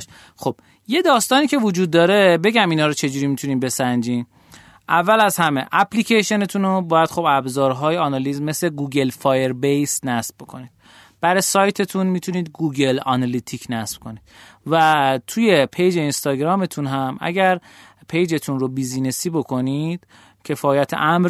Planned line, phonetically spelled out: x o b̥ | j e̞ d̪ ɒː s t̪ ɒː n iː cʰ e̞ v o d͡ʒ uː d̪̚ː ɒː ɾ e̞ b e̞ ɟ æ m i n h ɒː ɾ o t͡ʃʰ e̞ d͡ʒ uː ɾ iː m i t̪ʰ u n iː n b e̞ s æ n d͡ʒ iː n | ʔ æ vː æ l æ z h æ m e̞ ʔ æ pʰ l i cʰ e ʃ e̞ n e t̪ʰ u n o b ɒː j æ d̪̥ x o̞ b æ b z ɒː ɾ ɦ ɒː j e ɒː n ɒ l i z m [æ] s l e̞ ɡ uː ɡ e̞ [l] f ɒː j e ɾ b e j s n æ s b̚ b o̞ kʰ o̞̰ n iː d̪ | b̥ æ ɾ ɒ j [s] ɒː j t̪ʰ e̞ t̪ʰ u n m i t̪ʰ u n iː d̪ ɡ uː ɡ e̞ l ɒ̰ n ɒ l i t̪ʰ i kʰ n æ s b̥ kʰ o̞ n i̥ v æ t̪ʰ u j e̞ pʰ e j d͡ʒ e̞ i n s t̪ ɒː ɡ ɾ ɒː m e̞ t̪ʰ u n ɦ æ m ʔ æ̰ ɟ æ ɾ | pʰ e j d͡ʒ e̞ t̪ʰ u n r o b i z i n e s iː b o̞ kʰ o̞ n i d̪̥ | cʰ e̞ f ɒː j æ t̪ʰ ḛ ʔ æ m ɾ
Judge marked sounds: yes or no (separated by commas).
no, yes, yes